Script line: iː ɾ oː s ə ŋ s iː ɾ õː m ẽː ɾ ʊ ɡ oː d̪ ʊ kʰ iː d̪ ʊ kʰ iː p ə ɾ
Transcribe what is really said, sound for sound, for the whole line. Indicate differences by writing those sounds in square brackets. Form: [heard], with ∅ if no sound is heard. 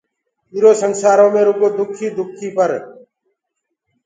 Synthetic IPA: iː ɾ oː s ə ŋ s [aː] ɾ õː m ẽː ɾ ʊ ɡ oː d̪ ʊ kʰ iː d̪ ʊ kʰ iː p ə ɾ